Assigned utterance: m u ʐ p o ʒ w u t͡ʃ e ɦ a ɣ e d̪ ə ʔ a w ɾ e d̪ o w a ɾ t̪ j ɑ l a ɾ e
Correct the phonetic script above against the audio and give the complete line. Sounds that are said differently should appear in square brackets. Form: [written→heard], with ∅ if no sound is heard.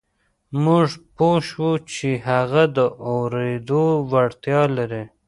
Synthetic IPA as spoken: m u ʐ p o [ʒ→ʃ] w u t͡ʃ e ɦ a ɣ [e→a] d̪ ə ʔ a w ɾ e d̪ o w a [ɾ→ɽ] t̪ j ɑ l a ɾ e